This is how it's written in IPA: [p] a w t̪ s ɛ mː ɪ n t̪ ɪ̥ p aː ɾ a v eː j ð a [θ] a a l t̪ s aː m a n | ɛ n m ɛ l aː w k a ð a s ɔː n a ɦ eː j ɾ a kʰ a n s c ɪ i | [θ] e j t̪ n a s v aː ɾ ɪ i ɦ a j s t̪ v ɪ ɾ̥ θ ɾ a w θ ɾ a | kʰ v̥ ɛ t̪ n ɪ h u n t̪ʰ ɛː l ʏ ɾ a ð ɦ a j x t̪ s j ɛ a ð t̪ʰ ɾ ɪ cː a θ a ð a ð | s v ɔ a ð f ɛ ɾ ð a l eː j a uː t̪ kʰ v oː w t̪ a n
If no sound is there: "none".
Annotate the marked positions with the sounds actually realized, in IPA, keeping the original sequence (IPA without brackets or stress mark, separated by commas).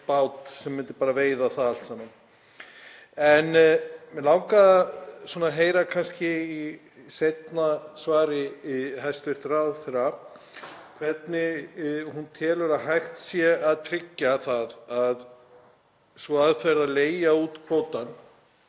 p, θ, s